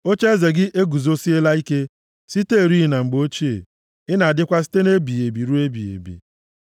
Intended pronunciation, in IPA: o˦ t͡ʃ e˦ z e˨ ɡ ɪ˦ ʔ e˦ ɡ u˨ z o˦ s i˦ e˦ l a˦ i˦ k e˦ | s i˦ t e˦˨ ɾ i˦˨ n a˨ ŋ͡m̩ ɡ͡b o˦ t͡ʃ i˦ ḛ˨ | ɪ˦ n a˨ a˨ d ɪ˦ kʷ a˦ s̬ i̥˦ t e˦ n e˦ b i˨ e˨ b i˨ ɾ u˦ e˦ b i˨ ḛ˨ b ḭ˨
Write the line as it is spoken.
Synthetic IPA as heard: o˦ t͡ʃ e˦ z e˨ ɡ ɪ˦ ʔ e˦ ɡ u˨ z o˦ s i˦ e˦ l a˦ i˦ k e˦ | s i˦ t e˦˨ ɾ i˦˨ n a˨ ŋ͡m̩ ɡ͡b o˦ t͡ʃ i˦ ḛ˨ | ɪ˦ n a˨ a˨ d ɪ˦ kʷ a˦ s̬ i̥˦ t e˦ n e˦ b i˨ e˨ b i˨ ɾ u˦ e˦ b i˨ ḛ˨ b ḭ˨